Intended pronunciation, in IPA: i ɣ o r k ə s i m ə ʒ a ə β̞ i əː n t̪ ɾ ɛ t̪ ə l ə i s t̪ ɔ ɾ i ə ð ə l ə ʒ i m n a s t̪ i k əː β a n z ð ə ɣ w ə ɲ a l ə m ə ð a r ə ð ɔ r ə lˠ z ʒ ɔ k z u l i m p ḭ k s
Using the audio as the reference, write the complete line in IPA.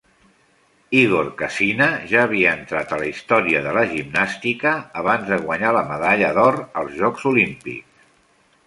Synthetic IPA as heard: i ɣ o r k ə s i n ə ʒ a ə β̞ i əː n t̪ ɾ a t̪ ə l ə i s t̪ ɔ ɾ i ə ð ə l ə ʒ i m n a s t̪ i k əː β a n z ð ə ɣ w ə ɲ a l ə m ə ð a ʎ ə ð ɔ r ə lˠ z ʒ ɔ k z u l i m p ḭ k s